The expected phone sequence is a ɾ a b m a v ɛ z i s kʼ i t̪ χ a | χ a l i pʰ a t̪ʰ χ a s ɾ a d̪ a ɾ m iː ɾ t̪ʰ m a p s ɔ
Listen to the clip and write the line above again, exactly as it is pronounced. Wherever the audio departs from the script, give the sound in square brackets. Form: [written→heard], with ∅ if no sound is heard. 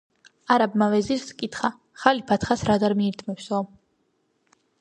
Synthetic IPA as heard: a ɾ a b m a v ɛ z i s kʼ i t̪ χ a | χ a l i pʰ a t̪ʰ χ a s ɾ a d̪ a ɾ m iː ɾ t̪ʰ m [a→ɛ] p s ɔ

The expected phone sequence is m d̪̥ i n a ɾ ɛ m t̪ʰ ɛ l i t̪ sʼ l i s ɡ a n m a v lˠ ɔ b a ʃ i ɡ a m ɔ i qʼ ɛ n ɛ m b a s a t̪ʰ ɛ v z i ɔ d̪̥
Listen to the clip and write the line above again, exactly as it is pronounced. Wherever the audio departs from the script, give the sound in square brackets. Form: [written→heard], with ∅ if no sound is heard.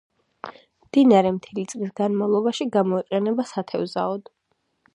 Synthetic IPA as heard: m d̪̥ i n a ɾ ɛ m t̪ʰ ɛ l i t̪ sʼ l i s ɡ a n m a v lˠ ɔ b a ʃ i ɡ a m ɔ i qʼ ɛ n ɛ [m→∅] b a s a t̪ʰ ɛ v z [i→a] ɔ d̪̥

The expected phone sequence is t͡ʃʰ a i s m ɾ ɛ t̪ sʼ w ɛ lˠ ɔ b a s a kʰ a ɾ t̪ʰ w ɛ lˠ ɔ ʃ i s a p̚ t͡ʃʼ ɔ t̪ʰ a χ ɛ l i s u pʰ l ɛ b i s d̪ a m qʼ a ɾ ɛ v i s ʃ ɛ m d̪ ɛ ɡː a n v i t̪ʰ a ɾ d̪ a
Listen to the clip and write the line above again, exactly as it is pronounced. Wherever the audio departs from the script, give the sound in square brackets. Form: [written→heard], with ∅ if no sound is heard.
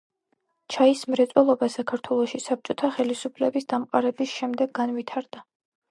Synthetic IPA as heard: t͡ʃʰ a i s m ɾ ɛ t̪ sʼ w ɛ lˠ ɔ b a s a kʰ a ɾ t̪ʰ w ɛ lˠ ɔ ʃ i s a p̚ t͡ʃʼ ɔ t̪ʰ a χ ɛ l i s u pʰ l ɛ b i s d̪ a m qʼ a ɾ ɛ [v→b] i s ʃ ɛ m d̪ ɛ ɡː a n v i t̪ʰ a ɾ d̪ a

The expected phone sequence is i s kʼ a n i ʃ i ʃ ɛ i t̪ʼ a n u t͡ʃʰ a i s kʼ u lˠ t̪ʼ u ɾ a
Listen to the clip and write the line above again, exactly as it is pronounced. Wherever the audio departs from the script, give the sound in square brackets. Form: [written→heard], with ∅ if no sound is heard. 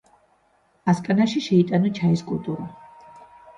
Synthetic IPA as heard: [i→a] s kʼ a n [i→a] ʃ i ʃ ɛ i t̪ʼ a n [u→ɔ] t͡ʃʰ a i s kʼ u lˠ t̪ʼ u ɾ a

